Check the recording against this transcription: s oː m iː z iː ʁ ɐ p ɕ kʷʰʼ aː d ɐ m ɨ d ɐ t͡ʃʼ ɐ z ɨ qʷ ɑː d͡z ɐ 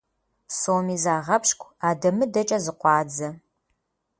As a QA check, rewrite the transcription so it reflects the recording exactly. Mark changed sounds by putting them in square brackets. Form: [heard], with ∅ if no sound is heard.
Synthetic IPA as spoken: s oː m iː z [aː] ʁ ɐ p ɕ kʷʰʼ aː d ɐ m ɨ d ɐ t͡ʃʼ ɐ z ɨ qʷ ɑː d͡z ɐ